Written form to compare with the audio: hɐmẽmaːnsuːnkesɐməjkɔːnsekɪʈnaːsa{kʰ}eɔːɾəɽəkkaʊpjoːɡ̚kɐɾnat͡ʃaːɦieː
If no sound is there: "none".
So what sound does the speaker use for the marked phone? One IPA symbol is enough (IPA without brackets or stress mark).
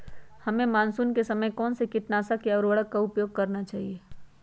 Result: k